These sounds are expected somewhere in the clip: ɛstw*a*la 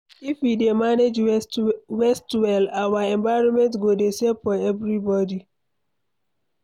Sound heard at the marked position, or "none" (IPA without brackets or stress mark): ɛ